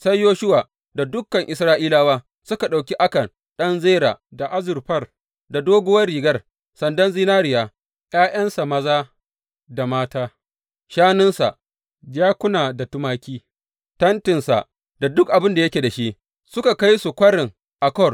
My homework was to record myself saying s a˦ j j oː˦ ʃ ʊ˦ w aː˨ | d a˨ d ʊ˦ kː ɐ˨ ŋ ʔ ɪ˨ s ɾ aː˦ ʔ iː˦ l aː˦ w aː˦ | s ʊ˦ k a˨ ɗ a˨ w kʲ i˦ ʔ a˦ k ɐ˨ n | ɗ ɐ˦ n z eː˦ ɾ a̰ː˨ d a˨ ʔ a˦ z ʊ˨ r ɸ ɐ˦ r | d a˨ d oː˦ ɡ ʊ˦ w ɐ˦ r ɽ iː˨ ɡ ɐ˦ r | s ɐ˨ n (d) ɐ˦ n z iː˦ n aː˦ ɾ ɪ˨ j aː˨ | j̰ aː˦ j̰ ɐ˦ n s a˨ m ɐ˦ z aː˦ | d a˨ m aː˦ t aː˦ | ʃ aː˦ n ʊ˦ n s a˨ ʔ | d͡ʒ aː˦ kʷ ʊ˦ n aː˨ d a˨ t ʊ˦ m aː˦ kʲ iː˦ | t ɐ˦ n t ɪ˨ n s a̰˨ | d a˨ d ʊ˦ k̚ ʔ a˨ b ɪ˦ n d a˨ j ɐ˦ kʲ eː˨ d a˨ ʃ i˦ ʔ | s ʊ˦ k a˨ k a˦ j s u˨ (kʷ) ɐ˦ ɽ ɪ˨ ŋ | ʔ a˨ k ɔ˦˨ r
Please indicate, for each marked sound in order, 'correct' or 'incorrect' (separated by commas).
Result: correct, correct